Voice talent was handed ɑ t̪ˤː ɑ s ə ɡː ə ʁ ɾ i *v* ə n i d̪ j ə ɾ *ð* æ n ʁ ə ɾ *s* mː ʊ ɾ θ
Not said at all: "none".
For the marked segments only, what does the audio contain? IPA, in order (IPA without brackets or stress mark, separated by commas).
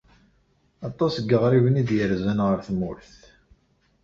v, z, θ